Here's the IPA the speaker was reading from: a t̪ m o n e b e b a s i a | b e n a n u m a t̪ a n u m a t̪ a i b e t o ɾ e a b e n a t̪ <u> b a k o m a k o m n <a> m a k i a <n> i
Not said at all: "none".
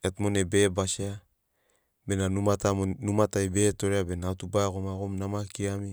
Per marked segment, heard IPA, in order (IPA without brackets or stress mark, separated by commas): u, a, m